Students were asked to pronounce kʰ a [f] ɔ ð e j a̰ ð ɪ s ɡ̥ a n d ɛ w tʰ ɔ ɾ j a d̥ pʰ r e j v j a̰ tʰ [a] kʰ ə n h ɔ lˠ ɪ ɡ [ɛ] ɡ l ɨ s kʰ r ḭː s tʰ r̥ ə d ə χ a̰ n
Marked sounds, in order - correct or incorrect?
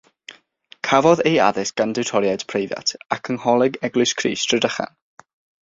incorrect, correct, correct

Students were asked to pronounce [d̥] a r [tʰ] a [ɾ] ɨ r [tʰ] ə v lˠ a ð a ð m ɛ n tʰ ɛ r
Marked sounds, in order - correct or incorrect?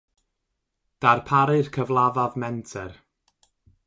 correct, incorrect, correct, incorrect

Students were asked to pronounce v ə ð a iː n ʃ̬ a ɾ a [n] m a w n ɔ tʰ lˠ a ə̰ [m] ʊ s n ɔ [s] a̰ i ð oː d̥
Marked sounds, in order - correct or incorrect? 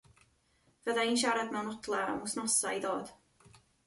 incorrect, correct, correct

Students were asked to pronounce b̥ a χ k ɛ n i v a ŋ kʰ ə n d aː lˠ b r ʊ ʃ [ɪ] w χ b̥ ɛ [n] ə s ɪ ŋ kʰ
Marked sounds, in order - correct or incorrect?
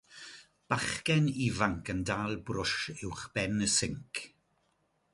correct, correct

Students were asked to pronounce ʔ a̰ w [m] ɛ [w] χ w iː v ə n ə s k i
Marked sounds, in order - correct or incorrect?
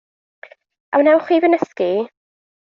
incorrect, correct

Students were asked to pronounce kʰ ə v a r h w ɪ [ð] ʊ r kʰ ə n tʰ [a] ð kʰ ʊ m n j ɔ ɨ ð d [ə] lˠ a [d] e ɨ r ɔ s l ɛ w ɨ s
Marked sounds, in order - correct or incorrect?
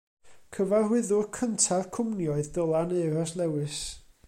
correct, correct, correct, incorrect

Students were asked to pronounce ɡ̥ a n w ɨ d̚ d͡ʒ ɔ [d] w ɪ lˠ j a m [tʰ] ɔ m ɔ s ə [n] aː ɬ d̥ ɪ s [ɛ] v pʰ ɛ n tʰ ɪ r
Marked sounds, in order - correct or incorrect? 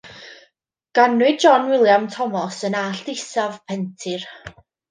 incorrect, correct, correct, incorrect

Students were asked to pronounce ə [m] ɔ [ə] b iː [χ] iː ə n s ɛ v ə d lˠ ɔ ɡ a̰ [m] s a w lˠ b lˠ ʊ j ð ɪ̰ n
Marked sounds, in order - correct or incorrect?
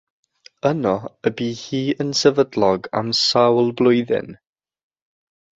incorrect, correct, incorrect, correct

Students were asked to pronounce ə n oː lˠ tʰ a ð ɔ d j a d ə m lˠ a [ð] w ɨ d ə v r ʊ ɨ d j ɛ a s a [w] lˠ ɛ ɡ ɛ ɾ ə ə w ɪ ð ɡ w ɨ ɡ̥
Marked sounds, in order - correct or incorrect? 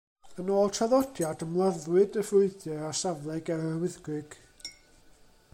correct, incorrect

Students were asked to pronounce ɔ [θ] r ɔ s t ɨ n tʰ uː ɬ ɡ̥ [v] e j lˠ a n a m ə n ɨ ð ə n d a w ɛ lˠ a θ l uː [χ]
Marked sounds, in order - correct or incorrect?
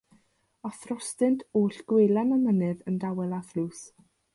correct, incorrect, incorrect

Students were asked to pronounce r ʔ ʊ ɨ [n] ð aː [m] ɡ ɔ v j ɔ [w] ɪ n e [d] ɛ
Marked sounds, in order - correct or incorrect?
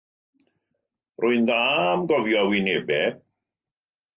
correct, correct, correct, incorrect

